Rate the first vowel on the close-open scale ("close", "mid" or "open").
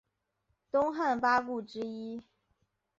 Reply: close